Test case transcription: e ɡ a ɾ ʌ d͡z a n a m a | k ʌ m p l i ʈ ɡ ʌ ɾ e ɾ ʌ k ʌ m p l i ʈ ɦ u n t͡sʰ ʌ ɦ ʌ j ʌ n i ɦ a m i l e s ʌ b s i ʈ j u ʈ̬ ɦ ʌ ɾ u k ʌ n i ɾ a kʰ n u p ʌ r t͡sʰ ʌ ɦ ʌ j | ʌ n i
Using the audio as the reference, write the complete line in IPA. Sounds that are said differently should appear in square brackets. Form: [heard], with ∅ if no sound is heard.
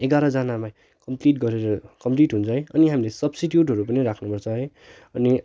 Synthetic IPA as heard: e ɡ a ɾ ʌ d͡z a n a m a | k ʌ m p l i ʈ ɡ ʌ ɾ e ɾ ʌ k ʌ m p l i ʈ ɦ u n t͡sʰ ʌ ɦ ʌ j ʌ n i ɦ a m i l e s ʌ b s i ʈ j u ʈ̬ ɦ ʌ ɾ u [p] ʌ n i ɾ a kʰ n u p ʌ r t͡sʰ ʌ ɦ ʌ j | ʌ n i